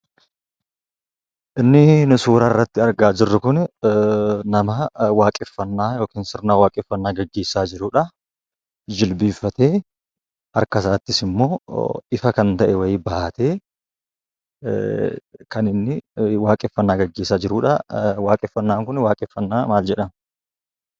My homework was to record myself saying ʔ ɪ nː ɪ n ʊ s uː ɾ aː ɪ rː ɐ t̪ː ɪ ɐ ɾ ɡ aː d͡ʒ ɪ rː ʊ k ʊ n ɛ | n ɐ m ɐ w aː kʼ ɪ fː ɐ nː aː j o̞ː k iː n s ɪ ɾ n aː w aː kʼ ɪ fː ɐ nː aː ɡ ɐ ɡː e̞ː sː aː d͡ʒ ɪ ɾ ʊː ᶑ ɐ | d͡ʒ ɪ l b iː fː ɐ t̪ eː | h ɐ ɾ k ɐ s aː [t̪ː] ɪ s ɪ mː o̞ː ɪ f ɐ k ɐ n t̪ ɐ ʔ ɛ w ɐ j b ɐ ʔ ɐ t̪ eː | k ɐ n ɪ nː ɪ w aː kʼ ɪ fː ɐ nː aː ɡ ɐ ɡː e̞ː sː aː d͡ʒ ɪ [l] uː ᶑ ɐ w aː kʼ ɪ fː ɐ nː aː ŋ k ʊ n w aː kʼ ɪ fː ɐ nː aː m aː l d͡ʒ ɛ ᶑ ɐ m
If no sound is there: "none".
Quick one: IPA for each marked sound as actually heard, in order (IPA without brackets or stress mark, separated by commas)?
t̪ː, ɾ